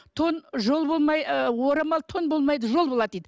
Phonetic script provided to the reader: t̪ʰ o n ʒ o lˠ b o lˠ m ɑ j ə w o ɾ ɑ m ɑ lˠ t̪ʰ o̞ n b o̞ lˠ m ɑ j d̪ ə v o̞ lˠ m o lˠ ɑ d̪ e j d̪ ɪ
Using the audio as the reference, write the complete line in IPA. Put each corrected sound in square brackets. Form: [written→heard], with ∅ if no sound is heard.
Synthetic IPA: t̪ʰ o n ʒ o lˠ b o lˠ m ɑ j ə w o ɾ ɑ m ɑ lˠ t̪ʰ o̞ n b o̞ lˠ m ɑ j d̪ ə [v→ʒ] o̞ lˠ [m→b] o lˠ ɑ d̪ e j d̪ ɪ